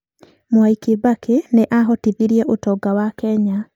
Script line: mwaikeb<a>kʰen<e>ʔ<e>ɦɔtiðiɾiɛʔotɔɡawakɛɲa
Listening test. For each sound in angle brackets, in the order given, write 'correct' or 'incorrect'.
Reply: correct, correct, incorrect

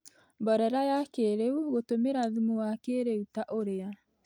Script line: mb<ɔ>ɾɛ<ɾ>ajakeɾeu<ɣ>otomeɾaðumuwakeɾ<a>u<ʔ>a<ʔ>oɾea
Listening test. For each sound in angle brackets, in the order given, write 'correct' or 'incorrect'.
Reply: correct, correct, correct, incorrect, incorrect, correct

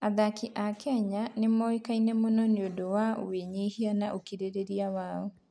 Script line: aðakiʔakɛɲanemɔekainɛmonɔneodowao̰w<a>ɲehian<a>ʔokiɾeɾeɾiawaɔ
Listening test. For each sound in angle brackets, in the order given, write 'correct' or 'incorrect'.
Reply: incorrect, correct

